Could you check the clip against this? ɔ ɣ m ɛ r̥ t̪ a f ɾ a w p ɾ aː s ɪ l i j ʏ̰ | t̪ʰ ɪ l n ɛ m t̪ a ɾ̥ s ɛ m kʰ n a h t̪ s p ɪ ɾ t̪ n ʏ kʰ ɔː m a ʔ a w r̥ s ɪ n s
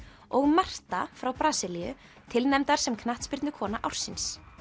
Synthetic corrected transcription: ɔ ɣ m a r̥ t̪ a f ɾ a w p ɾ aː s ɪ l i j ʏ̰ | t̪ʰ ɪ l n ɛ m t̪ a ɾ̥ s ɛ m kʰ n a h t̪ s p ɪ ɾ t̪ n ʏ kʰ ɔː n a ʔ a w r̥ s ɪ n s